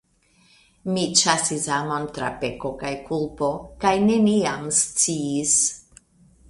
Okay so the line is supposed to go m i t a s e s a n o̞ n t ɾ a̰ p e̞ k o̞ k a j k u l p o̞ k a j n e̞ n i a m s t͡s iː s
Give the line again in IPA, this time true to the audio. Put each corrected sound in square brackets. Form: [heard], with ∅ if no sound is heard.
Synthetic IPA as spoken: m i [t͡ʃ] a s [i] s a [m] o̞ n t ɾ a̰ p e̞ k o̞ k a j k u l p o̞ k a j n e̞ n i a m s t͡s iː s